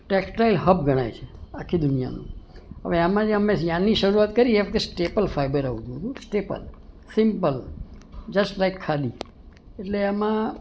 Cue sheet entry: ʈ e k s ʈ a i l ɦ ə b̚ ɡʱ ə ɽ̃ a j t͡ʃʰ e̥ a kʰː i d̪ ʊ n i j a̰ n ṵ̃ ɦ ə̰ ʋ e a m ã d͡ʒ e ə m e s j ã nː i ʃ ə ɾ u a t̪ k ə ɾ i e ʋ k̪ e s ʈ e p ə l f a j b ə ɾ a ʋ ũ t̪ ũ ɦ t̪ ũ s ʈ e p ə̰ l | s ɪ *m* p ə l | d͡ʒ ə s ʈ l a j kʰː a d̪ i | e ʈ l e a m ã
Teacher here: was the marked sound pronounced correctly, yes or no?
yes